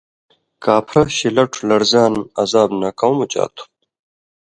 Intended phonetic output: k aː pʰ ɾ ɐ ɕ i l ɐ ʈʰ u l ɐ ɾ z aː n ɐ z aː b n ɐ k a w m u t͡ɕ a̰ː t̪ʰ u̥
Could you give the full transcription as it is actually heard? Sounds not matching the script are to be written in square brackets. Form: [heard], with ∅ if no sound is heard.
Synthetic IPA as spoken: k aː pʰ ɾ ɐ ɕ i l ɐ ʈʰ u l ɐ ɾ z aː n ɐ z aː b n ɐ k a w m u t͡ɕ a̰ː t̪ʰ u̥